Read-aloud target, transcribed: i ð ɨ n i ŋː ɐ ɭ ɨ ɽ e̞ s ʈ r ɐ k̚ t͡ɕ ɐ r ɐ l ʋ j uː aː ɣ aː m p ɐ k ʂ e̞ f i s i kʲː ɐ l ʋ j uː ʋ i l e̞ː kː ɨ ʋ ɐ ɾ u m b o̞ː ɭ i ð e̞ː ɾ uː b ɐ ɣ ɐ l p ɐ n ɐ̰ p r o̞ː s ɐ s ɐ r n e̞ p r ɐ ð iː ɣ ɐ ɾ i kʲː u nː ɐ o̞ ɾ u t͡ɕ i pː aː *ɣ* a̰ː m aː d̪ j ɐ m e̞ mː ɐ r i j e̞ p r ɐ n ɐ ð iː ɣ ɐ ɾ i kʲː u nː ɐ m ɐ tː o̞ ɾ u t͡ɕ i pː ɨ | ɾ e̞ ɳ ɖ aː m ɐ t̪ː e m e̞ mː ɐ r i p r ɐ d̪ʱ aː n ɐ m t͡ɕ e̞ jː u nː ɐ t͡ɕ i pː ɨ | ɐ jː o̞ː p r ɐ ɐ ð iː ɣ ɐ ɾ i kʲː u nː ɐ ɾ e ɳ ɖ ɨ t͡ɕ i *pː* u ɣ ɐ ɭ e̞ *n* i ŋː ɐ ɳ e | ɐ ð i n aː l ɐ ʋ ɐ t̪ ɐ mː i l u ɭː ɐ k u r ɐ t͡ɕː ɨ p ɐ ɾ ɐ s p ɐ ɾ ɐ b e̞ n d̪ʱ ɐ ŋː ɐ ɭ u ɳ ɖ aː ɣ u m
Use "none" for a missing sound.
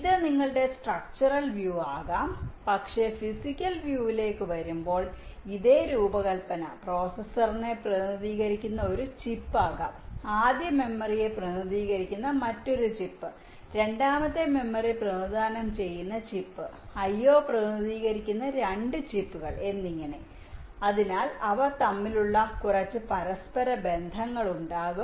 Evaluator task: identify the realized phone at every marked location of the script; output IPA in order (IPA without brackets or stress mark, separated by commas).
ɣ, pː, nː